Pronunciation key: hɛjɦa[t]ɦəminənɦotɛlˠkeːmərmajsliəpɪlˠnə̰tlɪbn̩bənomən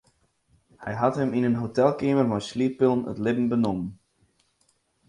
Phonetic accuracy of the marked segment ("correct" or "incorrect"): correct